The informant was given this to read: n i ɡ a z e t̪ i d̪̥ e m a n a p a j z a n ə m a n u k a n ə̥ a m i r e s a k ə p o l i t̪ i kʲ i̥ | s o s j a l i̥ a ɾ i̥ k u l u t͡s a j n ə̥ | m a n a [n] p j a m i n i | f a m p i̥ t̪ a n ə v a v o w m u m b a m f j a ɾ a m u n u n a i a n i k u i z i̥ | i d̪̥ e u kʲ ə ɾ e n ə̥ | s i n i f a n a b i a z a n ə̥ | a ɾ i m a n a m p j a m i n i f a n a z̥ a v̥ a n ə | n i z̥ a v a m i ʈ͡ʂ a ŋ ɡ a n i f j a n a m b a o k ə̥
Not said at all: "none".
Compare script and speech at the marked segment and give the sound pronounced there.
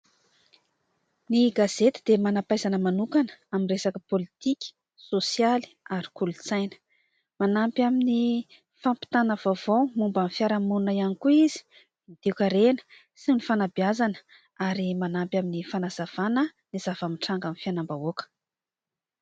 m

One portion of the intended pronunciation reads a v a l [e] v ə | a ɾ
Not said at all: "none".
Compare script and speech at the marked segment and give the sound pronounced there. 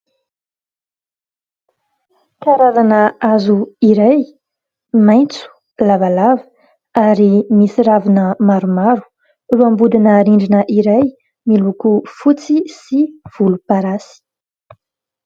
a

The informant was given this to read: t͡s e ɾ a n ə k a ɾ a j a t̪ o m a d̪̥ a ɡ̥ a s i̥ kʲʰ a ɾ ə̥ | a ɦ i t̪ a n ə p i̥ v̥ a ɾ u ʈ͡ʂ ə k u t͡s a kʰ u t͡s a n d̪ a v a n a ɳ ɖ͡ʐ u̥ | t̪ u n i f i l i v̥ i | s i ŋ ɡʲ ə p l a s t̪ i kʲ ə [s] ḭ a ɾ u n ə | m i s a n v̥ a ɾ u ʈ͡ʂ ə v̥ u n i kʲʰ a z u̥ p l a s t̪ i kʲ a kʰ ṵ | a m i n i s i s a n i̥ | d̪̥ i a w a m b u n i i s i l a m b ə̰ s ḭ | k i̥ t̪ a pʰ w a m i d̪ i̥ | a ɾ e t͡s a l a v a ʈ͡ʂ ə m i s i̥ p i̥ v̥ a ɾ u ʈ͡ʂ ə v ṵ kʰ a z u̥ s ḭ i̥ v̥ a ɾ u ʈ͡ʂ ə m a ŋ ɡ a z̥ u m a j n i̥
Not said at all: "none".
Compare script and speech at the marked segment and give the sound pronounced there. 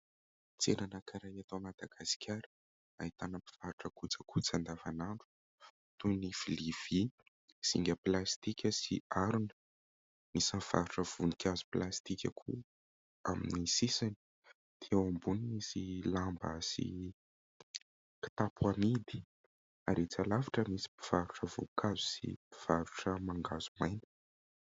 s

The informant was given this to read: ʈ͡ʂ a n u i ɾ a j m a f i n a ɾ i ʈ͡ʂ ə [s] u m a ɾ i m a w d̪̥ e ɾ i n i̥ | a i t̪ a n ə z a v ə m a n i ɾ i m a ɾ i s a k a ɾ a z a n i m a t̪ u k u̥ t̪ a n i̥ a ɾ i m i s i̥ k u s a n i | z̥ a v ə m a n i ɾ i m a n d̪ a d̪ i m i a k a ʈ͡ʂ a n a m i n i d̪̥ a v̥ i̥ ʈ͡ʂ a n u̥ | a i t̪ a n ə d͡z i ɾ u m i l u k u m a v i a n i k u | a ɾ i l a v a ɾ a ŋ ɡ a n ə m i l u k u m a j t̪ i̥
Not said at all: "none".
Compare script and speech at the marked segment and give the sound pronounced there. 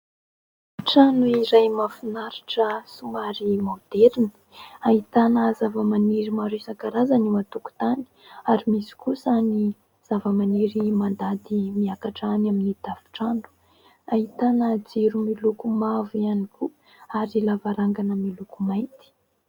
s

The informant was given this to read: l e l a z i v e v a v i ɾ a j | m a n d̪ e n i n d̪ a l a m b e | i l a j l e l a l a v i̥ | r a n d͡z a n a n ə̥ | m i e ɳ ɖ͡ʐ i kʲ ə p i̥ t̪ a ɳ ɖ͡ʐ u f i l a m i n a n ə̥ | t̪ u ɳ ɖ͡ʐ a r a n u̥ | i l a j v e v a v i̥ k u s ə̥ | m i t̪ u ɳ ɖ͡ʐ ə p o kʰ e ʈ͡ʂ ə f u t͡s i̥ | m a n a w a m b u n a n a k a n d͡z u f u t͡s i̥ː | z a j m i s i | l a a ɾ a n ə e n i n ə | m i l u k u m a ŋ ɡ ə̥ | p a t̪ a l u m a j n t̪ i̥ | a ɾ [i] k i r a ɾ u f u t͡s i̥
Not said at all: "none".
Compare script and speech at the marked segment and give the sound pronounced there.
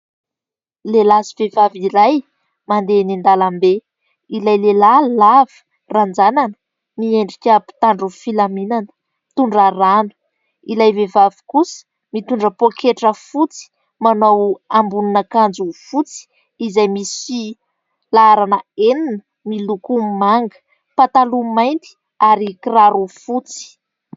i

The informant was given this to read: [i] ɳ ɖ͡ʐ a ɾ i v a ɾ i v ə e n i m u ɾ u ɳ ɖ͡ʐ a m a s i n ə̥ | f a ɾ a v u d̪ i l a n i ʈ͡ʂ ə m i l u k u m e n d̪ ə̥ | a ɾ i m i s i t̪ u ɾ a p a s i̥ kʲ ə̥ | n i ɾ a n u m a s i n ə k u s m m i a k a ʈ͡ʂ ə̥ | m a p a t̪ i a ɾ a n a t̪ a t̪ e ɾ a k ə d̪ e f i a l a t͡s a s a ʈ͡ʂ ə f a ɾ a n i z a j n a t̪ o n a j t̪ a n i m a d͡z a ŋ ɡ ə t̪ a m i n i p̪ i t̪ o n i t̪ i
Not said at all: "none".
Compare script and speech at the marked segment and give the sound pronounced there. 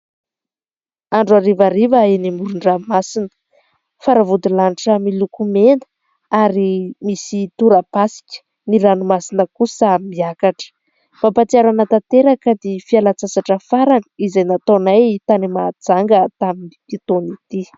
a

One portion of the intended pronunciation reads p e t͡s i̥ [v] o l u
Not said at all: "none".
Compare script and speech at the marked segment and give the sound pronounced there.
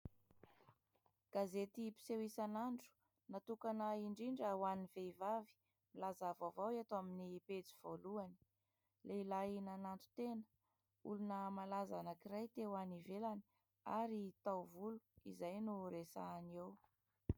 v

